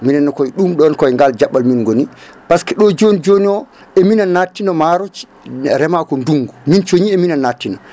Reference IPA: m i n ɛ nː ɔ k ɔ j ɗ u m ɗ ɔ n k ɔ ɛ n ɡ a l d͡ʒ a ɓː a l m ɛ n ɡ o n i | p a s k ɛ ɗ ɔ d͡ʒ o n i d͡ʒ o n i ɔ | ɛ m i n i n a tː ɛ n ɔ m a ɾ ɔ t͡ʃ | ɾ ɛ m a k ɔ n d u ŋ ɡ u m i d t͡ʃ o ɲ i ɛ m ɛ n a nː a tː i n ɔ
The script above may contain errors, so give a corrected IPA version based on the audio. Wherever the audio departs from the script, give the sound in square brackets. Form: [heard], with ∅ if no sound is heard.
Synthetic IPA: m i n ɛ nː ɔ k ɔ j ɗ u m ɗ ɔ n k ɔ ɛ [ŋ] ɡ a l d͡ʒ a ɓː a l m [i] n ɡ o n i | p a s k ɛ ɗ ɔ d͡ʒ o n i d͡ʒ o n i ɔ | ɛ m i n [a] n a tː [i] n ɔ m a ɾ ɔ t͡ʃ | ɾ ɛ m a k ɔ n d u ŋ ɡ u m i [n] t͡ʃ o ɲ i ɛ m [i] n a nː a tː i n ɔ

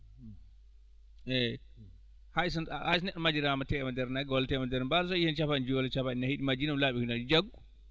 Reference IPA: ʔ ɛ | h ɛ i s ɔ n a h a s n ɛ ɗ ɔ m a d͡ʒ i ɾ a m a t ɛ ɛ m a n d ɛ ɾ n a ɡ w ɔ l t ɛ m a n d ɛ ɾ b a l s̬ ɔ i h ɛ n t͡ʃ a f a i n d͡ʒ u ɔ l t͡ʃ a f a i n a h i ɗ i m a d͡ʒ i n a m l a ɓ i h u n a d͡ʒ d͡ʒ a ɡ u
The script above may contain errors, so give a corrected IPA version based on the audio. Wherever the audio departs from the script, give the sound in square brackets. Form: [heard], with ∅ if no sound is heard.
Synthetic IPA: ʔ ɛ | h [a] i s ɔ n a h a s n ɛ ɗ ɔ m a d͡ʒ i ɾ a m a t ɛ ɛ m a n d ɛ ɾ n a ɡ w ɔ l t ɛ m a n d ɛ ɾ b a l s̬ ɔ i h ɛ n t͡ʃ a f a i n d͡ʒ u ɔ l t͡ʃ a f a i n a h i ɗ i m a d͡ʒ i n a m l a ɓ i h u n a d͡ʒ d͡ʒ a ɡ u

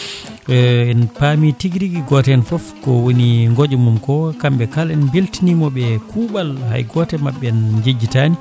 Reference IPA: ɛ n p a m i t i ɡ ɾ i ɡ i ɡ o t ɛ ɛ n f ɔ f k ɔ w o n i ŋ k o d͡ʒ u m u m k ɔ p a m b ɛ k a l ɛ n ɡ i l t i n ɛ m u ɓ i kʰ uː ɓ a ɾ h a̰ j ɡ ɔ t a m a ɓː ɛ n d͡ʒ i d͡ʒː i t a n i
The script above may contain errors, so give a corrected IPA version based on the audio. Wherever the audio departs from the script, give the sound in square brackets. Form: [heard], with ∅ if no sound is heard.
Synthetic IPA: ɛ n p a m i t i ɡ ɾ i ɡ i ɡ [ɔ] t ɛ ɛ n f ɔ f k ɔ w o n i ŋ [ɡ] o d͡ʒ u m u m k ɔ [k] a m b ɛ k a l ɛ n [b] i l t i n [i] m [ɔ] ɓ [ɛ] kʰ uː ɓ a [l] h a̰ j ɡ ɔ t [ɛ] m a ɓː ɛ n d͡ʒ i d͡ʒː i t a n i

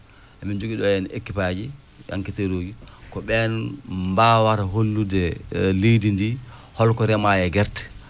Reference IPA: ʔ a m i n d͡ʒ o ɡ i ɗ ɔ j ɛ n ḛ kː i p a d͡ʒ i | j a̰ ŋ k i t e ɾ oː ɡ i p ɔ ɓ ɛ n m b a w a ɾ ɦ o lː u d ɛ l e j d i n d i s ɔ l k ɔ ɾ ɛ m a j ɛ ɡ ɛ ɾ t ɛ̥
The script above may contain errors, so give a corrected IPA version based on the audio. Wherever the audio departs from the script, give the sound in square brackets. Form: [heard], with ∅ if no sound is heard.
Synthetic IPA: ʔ a m i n d͡ʒ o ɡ i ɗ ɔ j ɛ n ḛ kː i p a d͡ʒ i | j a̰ ŋ k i t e ɾ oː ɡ i [k] ɔ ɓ ɛ n m b a w a ɾ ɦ o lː u d ɛ l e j d i n d i [h] ɔ l k ɔ ɾ ɛ m a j ɛ ɡ ɛ ɾ t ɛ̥

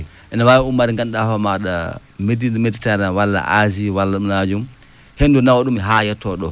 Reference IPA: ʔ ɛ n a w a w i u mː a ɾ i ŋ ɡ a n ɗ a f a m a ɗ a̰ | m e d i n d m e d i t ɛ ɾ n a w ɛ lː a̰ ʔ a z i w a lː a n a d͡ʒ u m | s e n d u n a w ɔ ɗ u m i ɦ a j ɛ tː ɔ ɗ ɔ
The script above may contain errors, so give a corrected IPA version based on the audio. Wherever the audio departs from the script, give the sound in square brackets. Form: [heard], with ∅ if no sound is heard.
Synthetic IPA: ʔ ɛ n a w a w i u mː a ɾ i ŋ ɡ a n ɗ a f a m a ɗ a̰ | m e d i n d m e d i t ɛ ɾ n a w [a] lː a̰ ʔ a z i w a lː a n a d͡ʒ u m | [h] e n d u n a w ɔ ɗ u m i ɦ a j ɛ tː ɔ ɗ ɔ

